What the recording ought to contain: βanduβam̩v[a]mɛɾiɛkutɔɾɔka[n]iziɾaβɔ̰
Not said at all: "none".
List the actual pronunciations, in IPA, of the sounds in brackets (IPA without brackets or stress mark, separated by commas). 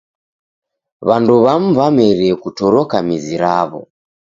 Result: a, m